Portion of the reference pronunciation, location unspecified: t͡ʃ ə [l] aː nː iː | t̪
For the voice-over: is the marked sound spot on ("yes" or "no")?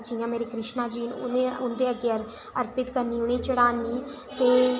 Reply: no